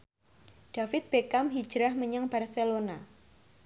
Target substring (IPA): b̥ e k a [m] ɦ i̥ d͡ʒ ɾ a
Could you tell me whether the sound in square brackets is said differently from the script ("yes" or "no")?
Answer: no